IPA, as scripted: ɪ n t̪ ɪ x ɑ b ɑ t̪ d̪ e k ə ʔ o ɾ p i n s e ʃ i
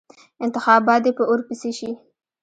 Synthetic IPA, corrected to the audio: ɪ n t̪ ɪ x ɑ b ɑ t̪ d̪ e p ə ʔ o ɾ p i s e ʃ i